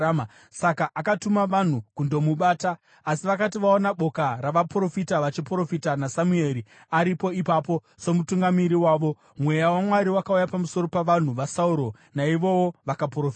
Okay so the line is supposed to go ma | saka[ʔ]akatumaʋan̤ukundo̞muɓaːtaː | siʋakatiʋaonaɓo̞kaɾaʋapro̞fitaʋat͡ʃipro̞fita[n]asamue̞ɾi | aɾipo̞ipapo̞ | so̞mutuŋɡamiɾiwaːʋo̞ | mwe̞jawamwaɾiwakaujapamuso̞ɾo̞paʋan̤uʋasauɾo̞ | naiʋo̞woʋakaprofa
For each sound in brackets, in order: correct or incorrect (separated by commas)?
correct, correct